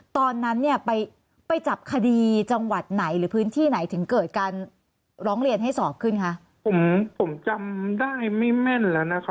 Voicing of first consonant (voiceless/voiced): voiceless